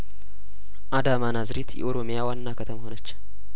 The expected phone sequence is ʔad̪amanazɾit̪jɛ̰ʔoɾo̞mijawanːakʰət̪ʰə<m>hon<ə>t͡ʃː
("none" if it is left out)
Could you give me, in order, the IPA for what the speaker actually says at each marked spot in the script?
m, ə

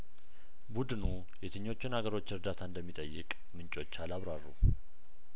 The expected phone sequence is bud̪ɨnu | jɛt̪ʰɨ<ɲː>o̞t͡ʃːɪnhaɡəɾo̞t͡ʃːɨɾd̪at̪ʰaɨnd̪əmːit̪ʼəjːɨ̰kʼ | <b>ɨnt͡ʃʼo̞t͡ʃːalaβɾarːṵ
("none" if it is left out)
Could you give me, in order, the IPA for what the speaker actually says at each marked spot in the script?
ɲː, m

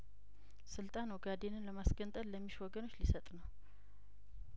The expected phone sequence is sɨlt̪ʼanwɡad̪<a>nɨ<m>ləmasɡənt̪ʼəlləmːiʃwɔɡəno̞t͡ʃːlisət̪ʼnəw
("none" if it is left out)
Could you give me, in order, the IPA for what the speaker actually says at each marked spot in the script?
e, n

